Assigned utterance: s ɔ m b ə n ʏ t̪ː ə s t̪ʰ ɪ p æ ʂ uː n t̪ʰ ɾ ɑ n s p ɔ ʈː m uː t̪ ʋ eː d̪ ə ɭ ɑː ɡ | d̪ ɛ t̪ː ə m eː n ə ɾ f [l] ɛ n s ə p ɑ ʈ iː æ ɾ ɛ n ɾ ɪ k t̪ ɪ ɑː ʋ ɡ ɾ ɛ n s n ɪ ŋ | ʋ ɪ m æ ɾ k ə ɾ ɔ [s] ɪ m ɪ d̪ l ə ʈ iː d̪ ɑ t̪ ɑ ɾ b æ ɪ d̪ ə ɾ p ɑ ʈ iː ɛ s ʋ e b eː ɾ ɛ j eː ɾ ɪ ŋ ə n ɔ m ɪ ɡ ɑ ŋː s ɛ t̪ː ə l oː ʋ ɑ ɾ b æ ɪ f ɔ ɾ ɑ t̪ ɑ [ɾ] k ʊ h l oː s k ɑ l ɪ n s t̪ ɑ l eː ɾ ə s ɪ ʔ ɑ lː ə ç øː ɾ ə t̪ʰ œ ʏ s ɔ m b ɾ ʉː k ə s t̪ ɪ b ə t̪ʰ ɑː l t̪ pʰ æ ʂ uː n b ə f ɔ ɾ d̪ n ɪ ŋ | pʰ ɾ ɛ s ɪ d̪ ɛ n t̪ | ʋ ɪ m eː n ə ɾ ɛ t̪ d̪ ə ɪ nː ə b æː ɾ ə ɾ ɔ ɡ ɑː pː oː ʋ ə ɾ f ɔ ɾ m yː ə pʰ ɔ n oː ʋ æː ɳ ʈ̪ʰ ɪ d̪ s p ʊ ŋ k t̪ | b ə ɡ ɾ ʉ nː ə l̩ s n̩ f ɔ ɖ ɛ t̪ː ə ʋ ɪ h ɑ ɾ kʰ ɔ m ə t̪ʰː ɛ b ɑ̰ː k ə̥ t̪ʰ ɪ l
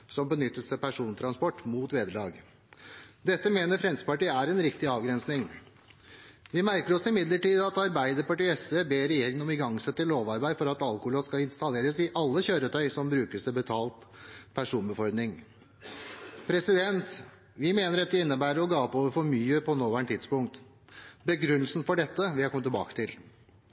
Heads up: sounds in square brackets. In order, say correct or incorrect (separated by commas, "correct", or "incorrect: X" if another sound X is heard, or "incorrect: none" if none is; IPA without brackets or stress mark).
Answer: incorrect: ɾ, correct, incorrect: l